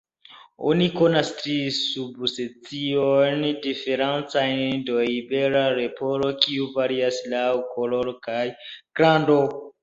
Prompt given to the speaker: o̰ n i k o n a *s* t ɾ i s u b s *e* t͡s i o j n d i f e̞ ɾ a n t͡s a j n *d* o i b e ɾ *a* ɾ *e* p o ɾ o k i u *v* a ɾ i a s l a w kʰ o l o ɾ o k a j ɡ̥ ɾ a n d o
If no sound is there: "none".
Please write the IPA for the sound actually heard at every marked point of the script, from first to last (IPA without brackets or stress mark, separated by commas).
s, e, d, a, e, v